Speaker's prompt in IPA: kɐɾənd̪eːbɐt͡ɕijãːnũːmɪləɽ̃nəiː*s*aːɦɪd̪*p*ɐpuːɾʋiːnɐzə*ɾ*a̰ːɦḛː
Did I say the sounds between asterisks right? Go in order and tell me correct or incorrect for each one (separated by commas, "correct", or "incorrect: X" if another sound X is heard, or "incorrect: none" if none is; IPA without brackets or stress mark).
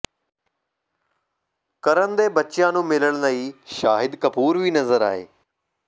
incorrect: ʃ, incorrect: k, correct